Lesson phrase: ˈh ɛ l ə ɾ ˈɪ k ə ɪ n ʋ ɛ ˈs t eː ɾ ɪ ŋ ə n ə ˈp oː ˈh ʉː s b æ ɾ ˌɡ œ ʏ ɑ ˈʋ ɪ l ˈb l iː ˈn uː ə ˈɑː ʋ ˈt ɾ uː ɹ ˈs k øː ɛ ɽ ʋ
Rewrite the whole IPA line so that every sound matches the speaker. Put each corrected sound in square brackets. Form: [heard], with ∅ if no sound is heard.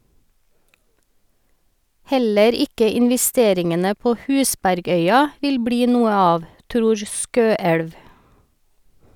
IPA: ˈh ɛ l ə ɾ ˈɪ k ə ɪ n ʋ ɛ ˈs t eː ɾ ɪ ŋ ə n ə ˈp oː ˈh ʉː s b æ ɾ ˌɡ œ ʏ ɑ ˈʋ ɪ l ˈb [ɽ] iː ˈn uː ə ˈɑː ʋ ˈt ɾ uː ɹ ˈs k øː ɛ ɽ ʋ